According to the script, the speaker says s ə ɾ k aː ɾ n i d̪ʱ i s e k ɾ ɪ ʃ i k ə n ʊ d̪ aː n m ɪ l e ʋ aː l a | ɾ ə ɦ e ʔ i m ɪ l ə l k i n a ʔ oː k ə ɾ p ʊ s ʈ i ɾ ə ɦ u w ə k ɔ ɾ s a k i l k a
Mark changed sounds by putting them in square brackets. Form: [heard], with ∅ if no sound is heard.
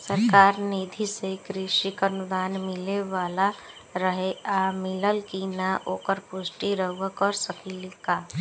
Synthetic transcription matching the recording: s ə ɾ k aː ɾ n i d̪ʱ i s e k ɾ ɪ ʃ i k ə n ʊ d̪ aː n m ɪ l e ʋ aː l a | ɾ ə ɦ e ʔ [a] m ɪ l ə l k i n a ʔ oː k ə ɾ p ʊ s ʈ i ɾ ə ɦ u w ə k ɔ ɾ s [ə] k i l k a